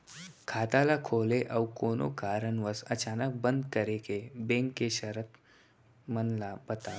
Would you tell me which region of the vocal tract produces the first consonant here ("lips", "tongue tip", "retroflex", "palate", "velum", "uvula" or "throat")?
velum